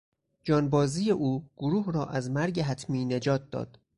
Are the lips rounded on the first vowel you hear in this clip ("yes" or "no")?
yes